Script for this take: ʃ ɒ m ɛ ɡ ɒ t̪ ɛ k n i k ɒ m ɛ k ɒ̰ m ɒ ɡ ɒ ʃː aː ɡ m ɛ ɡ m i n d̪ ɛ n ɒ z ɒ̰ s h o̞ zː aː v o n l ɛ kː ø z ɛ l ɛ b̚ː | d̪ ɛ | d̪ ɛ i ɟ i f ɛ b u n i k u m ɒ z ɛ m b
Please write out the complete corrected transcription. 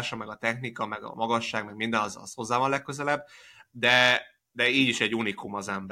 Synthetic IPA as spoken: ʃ ɒ m ɛ ɡ ɒ t̪ ɛ x n i k ɒ m ɛ ɡ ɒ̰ m ɒ ɡ ɒ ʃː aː ɡ m ɛ ɡ m i n d̪ ɛ n ɒ z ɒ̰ s h o̞ zː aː v ɒ n l ɛ kː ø z ɛ l ɛ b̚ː | d̪ ɛ | d̪ ɛ iː ɟ i ʃ ɛ ɟ u n i k u m ɒ z ɛ m b